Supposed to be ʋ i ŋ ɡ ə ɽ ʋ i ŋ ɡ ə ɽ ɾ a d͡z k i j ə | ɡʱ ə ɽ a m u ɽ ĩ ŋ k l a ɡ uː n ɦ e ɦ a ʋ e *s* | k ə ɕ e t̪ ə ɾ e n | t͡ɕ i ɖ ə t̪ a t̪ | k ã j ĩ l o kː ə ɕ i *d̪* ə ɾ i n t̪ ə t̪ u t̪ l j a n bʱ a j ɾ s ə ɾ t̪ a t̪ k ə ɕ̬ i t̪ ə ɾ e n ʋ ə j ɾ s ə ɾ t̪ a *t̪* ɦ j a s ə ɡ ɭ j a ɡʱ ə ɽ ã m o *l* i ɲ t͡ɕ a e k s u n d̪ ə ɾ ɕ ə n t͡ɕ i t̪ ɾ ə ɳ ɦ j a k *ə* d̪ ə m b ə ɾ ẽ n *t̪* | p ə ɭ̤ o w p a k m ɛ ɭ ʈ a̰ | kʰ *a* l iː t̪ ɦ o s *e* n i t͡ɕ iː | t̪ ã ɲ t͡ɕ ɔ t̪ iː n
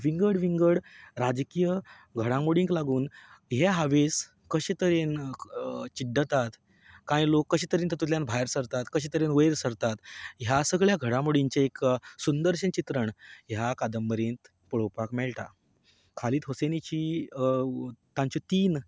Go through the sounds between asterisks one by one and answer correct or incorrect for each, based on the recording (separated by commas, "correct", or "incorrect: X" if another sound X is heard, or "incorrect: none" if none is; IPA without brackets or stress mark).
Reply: correct, incorrect: t̪, correct, incorrect: ɽ, incorrect: a, correct, correct, correct